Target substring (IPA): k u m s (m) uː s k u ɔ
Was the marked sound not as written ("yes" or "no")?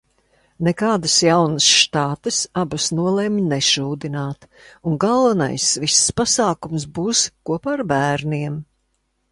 yes